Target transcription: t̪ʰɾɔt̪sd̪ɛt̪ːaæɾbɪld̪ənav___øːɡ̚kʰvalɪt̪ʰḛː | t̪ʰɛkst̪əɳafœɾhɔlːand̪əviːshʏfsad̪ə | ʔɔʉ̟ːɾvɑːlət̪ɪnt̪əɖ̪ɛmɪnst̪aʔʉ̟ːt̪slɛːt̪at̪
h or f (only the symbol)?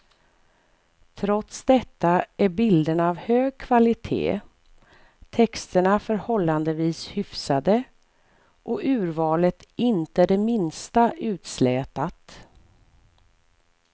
h